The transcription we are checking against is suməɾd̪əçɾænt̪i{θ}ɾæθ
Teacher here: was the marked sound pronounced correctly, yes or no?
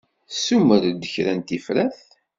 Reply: no